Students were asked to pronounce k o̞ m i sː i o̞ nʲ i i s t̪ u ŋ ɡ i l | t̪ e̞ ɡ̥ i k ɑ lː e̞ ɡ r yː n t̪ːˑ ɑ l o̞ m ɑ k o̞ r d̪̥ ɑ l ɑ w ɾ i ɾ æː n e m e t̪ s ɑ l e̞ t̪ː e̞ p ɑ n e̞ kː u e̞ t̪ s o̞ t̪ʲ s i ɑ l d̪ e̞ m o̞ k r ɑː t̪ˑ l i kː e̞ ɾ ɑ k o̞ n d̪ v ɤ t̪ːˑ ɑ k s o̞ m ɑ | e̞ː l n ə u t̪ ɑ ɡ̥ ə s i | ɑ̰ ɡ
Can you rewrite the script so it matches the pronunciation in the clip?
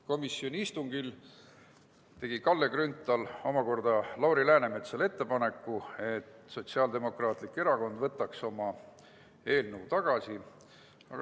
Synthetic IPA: k o̞ m i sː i o̞ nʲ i i s t̪ u ŋ ɡ i l | t̪ e̞ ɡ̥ i k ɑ lː e̞ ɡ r y n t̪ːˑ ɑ l o̞ m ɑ k o̞ r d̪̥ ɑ l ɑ w ɾ i l æː n e m e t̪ s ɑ l e̞ t̪ː e̞ p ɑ n e̞ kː u e̞ t̪ s o̞ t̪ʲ s i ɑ l d̪ e̞ m o̞ k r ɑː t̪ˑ l i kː e̞ ɾ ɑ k o̞ n d̪ v ɤ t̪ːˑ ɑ k s o̞ m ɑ | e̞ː l n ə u t̪ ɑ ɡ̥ ɑ s i | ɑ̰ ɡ